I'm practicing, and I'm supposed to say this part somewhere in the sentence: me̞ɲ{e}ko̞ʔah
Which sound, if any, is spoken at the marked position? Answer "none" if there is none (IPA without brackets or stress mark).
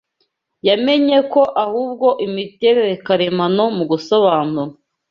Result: e